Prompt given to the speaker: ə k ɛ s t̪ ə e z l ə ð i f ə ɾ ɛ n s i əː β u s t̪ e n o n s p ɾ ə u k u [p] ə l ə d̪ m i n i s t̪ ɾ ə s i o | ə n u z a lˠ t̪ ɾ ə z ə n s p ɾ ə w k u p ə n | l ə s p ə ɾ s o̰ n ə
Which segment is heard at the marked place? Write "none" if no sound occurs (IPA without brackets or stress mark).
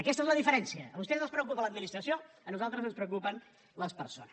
p